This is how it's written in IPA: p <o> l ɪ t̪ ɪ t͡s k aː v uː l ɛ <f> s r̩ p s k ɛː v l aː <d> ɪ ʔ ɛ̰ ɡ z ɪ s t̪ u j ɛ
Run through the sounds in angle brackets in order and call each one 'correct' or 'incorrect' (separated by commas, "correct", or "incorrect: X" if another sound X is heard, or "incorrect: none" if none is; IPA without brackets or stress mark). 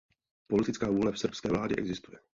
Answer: correct, correct, correct